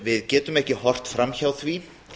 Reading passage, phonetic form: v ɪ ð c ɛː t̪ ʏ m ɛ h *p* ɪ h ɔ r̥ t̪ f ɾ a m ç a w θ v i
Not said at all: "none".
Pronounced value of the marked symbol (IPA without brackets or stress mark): c